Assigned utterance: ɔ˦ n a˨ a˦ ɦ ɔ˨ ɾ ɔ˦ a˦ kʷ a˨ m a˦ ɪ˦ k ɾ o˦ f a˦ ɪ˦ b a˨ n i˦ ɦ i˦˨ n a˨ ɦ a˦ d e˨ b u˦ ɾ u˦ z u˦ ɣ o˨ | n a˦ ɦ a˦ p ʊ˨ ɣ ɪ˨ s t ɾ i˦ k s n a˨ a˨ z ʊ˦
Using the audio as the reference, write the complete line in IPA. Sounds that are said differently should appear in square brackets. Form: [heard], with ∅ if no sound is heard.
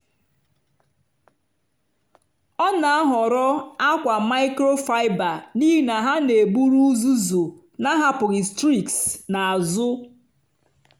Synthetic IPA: ɔ˦ n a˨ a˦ ɦ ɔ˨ ɾ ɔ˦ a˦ kʷ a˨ m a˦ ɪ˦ k ɾ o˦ f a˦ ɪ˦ b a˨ n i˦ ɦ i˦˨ n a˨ ɦ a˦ [n] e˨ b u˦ ɾ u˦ z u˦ [z] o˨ | n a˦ ɦ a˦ p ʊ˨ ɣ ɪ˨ s t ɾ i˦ k s n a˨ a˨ z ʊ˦

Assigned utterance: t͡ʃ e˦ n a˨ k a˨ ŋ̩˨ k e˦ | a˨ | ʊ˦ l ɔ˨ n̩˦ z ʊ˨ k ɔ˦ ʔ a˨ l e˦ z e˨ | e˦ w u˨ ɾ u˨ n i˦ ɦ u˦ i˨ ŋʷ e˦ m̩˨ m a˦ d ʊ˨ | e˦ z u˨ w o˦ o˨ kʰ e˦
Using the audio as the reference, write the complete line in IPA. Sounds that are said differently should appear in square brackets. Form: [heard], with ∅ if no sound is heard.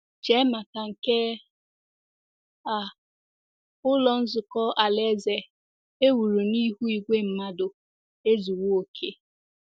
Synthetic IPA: t͡ʃ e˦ [m] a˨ k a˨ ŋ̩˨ k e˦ | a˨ | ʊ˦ l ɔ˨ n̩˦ z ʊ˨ k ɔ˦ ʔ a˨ l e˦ z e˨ | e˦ w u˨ ɾ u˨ n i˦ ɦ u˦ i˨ [ɡʷ] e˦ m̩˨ m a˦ d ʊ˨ | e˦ z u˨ w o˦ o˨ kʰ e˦

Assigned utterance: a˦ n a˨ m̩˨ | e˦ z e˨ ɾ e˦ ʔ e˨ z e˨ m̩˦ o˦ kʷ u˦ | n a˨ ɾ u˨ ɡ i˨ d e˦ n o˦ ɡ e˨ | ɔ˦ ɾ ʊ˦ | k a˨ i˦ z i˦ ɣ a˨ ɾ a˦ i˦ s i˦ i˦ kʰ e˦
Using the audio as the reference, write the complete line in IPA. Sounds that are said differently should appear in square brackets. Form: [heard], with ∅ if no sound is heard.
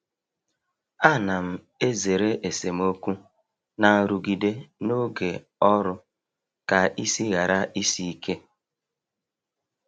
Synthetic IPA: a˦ n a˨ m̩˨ | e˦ z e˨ ɾ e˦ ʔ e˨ [s] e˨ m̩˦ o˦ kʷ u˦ | n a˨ ɾ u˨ ɡ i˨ d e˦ n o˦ ɡ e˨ | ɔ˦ ɾ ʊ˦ | k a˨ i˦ [s] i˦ ɣ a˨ ɾ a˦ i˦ s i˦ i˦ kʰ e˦

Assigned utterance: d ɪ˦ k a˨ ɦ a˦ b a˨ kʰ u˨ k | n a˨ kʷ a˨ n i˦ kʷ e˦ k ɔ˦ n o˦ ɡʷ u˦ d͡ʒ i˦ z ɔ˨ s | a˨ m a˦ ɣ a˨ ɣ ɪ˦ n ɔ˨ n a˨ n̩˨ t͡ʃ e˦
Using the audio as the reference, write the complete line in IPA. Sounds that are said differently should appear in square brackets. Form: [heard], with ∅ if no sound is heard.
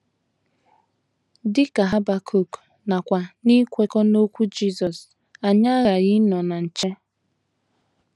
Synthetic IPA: d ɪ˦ k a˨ ɦ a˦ b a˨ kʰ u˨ k | n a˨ kʷ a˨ n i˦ kʷ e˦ k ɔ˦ n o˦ [kʷ] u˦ d͡ʒ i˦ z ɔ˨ s | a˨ [ɲ] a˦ ɣ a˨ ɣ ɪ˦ n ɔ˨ n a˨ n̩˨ t͡ʃ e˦

